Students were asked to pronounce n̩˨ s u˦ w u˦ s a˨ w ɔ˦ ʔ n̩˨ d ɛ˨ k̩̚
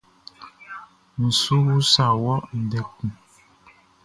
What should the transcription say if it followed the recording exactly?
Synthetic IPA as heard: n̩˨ s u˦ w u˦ s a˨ w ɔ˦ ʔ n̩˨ d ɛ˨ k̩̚